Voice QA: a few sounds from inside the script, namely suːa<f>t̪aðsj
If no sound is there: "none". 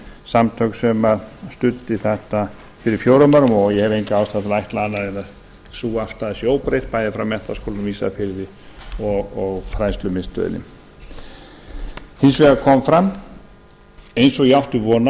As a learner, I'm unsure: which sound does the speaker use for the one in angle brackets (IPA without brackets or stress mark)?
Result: f